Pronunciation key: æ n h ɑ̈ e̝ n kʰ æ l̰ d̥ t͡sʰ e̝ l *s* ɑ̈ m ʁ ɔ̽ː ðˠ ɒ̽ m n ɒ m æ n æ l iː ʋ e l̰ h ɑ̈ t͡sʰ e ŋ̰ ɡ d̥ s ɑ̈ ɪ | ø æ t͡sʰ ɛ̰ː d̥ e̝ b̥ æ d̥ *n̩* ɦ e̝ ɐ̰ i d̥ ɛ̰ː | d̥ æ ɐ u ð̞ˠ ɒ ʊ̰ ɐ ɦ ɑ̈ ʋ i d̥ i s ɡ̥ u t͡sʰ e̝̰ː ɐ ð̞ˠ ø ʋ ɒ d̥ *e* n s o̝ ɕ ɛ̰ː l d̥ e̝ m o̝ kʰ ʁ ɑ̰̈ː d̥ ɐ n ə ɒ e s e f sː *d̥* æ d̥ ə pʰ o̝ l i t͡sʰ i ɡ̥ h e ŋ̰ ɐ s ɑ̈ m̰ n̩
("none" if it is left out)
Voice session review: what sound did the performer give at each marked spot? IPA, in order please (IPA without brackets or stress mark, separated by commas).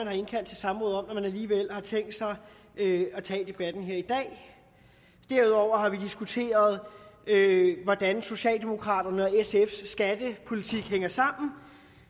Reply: s, n̩, æ, ɡ̥